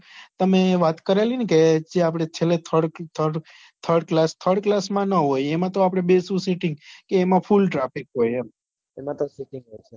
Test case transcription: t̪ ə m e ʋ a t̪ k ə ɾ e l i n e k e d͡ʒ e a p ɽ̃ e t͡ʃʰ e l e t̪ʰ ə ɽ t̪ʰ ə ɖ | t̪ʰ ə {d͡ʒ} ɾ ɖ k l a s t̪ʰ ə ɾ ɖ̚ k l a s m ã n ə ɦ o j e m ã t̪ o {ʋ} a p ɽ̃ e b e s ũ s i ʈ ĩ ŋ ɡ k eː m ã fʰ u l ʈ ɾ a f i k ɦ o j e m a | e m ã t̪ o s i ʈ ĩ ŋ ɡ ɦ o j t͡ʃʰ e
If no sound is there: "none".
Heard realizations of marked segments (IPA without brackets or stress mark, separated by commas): none, none